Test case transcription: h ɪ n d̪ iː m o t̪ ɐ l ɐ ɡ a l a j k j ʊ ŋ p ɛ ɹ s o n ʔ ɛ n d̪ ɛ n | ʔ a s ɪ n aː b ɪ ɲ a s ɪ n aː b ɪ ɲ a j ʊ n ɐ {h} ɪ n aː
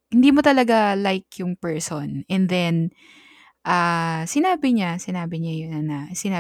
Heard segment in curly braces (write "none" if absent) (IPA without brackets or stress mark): s